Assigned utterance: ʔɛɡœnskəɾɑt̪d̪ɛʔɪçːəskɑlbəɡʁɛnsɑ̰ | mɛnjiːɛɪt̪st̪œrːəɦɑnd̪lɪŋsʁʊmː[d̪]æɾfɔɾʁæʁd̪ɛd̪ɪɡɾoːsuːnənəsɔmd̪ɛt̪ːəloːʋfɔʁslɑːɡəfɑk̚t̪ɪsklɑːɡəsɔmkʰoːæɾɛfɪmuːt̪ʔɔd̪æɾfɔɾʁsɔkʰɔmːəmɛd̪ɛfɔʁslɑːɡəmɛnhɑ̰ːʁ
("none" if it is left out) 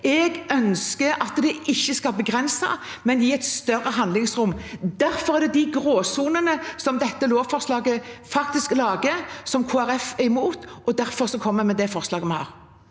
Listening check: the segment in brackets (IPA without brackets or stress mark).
d̪